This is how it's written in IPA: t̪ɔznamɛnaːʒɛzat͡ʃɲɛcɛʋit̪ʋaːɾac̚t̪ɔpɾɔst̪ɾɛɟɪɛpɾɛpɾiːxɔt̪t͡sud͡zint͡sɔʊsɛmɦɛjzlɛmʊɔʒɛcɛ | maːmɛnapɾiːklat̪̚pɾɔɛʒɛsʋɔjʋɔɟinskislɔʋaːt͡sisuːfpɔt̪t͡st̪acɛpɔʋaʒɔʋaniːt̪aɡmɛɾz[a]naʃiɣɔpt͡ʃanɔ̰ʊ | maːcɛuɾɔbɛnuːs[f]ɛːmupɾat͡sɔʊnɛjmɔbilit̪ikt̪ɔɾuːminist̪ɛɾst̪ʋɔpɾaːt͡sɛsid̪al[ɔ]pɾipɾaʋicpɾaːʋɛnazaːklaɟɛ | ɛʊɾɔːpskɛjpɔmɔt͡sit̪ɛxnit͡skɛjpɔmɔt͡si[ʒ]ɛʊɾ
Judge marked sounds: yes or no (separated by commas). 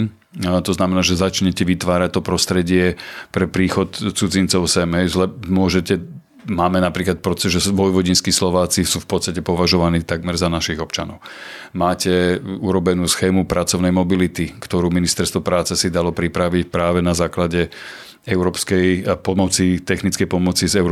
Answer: yes, no, yes, no